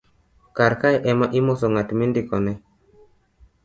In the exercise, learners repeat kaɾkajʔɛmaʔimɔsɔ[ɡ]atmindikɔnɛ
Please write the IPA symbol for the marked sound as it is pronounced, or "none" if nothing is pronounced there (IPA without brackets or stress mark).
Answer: ŋ